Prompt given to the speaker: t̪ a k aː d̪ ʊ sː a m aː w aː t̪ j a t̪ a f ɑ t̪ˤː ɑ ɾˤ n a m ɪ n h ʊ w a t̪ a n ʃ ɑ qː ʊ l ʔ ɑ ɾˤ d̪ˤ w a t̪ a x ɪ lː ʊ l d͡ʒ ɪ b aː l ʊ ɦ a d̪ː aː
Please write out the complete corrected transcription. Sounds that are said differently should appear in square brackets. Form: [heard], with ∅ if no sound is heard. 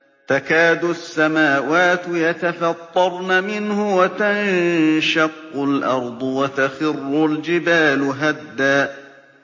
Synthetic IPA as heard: t̪ a k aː d̪ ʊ sː a m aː w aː t̪ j a t̪ a f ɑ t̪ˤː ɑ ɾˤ n a m ɪ n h ʊ w a t̪ a n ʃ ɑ qː ʊ l ʔ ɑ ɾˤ d̪ˤ w a t̪ a x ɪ [rː] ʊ l d͡ʒ ɪ b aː l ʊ ɦ a d̪ː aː